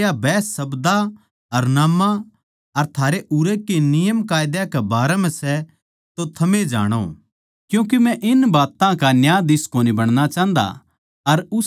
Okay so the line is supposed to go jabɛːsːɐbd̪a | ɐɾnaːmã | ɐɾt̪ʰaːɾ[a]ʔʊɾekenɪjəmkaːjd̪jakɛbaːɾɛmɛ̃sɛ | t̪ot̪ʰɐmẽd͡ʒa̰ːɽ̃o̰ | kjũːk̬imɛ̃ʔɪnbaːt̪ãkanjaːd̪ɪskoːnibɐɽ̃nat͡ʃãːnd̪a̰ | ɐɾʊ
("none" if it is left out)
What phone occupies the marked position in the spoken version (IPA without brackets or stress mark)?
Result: e